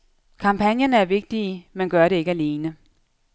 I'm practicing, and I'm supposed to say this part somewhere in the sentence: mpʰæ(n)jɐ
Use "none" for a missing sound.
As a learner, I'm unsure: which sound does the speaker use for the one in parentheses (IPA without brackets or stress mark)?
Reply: n